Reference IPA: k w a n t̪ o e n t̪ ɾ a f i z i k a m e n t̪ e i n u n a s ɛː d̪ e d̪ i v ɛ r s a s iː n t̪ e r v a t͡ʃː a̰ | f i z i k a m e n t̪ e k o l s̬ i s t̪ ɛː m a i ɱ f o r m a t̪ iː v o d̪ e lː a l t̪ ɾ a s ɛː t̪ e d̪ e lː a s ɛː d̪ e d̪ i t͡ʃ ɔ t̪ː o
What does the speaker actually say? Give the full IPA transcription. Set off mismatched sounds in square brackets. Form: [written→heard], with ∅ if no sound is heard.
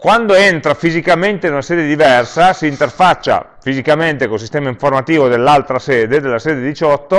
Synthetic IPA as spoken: k w a n [t̪→d̪] o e n t̪ ɾ a f i z i k a m e n t̪ e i n u n a s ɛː d̪ e d̪ i v ɛ r s a s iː n t̪ e r [v→f] a t͡ʃː a̰ | f i z i k a m e n t̪ e k o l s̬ i s t̪ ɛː m a i ɱ f o r m a t̪ iː v o d̪ e lː a l t̪ ɾ a s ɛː [t̪→d̪] e d̪ e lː a s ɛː d̪ e d̪ i t͡ʃ ɔ t̪ː o